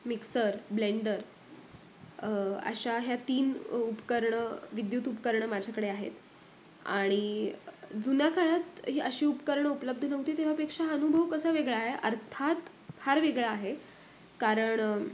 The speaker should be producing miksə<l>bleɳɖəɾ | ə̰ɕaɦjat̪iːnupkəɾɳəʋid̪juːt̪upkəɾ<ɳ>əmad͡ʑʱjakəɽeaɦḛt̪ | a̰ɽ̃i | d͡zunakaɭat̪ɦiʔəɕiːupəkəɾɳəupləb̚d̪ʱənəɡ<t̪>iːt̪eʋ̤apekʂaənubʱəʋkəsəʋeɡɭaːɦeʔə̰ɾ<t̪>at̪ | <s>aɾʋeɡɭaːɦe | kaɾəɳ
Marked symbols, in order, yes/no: no, yes, yes, no, no

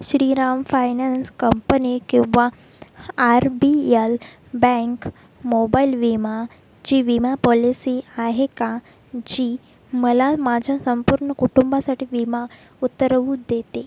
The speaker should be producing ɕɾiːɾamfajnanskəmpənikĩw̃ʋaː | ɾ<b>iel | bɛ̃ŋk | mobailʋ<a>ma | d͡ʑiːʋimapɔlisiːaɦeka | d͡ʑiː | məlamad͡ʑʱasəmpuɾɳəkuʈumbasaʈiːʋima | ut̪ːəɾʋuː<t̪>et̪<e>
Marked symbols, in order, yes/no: yes, no, no, yes

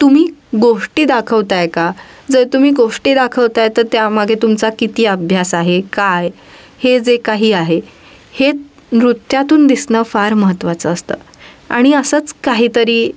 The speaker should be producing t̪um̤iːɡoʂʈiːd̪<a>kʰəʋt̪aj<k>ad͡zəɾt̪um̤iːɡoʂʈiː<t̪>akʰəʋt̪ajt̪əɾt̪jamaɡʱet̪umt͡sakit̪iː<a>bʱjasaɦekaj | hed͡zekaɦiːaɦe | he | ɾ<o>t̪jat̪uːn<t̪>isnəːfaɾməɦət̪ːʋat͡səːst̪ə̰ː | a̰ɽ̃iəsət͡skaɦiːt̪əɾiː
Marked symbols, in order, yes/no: yes, yes, no, no, no, no

